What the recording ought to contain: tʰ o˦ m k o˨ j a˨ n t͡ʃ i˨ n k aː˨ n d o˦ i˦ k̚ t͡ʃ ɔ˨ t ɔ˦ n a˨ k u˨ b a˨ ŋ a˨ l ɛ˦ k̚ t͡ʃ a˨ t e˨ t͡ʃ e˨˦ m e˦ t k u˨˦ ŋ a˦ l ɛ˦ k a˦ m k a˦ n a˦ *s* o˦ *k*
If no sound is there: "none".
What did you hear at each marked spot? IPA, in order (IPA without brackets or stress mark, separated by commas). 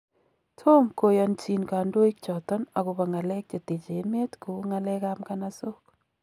s, k